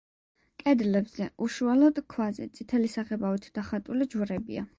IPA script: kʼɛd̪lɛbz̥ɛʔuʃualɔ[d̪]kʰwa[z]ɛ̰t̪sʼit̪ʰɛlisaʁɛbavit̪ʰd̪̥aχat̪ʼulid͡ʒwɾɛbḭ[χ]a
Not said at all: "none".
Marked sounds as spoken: d̪, z, none

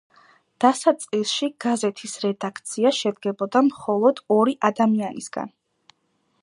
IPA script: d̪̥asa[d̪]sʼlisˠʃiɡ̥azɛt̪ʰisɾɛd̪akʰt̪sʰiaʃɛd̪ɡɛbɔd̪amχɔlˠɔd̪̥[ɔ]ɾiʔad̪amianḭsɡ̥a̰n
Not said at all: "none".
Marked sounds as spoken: t̪, ɔ

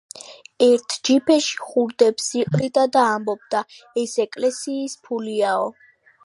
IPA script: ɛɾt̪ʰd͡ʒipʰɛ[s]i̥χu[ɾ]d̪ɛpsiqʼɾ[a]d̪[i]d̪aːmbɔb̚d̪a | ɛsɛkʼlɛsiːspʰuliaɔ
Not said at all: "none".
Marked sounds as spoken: ʃ, ɾ, i, a

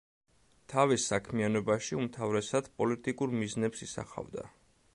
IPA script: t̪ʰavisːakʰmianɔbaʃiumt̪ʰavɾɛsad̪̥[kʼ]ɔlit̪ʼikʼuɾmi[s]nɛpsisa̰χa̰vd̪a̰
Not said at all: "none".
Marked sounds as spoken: pʼ, z

